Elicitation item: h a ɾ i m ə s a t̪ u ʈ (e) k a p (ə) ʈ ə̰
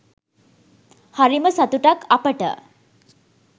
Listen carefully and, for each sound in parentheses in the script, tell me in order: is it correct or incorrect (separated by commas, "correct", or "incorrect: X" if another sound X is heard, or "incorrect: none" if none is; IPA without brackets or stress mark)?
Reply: incorrect: a, correct